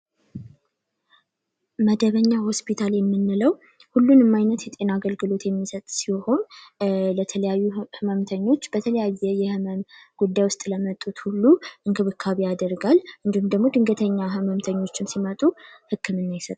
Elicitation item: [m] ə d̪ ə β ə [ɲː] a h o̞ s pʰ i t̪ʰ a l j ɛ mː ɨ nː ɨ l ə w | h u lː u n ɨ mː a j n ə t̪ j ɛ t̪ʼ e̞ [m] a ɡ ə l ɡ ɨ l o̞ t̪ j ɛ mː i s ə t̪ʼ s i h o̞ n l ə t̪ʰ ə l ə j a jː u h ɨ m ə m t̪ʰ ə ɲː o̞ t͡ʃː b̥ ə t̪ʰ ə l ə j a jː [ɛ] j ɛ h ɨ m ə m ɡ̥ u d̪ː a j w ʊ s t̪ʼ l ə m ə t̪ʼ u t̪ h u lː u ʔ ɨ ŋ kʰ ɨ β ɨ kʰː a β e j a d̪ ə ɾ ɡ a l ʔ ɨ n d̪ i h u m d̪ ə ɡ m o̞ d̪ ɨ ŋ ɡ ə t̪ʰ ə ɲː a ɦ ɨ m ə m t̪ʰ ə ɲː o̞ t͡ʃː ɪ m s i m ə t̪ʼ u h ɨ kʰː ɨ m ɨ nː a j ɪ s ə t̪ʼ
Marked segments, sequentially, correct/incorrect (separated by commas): correct, correct, incorrect, correct